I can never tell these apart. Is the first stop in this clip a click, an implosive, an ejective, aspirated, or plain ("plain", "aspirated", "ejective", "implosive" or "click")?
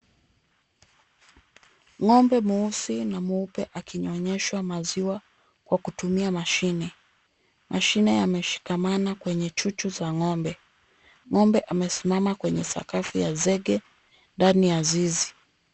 plain